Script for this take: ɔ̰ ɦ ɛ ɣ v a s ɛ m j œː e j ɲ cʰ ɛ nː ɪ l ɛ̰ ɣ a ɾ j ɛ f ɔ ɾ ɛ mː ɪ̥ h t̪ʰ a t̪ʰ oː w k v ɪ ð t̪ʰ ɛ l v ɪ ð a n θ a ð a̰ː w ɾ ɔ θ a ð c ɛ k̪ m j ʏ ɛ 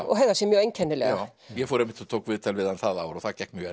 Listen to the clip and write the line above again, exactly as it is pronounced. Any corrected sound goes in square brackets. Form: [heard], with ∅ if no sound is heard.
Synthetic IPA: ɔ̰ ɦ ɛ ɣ [ð] a s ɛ m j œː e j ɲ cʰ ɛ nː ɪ l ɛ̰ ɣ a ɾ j ɛ f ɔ ɾ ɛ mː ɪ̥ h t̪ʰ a t̪ʰ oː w k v ɪ ð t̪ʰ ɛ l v ɪ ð a n θ a ð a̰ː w ɾ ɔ θ a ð c ɛ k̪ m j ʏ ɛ